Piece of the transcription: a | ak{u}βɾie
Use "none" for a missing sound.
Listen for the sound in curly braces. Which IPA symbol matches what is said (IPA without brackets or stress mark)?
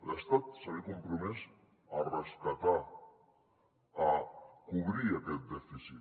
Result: u